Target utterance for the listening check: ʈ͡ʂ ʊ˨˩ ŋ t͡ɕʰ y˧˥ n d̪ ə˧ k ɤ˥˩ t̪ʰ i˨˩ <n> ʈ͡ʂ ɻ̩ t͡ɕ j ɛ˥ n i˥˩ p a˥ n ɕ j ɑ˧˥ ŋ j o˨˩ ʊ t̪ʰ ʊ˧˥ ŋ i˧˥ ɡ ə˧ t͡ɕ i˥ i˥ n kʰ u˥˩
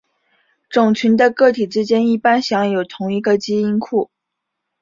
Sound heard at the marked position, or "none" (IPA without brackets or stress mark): none